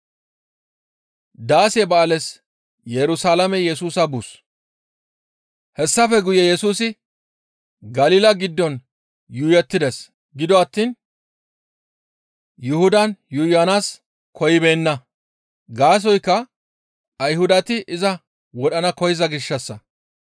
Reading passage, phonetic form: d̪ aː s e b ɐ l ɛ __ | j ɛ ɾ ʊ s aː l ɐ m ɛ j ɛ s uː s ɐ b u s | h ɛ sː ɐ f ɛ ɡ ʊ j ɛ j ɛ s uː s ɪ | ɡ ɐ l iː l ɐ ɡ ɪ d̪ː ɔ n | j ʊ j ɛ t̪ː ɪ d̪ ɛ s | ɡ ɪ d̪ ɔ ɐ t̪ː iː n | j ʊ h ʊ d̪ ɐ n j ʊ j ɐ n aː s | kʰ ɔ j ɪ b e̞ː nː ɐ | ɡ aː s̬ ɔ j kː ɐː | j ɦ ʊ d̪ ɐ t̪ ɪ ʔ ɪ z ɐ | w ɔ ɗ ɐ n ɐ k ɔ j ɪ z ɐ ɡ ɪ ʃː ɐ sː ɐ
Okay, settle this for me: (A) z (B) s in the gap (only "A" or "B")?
B